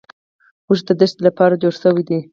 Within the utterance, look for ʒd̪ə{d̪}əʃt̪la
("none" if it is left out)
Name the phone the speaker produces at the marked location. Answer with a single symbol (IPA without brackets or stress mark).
d̪